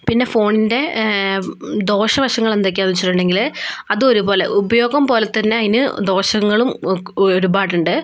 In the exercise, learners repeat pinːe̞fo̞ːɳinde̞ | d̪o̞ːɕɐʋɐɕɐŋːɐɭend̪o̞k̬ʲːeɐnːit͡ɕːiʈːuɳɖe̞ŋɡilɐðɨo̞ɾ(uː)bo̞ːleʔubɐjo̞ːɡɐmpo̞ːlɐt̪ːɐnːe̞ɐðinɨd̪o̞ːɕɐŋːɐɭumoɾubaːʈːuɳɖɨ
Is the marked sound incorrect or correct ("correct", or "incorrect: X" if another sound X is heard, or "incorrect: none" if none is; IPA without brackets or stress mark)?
incorrect: u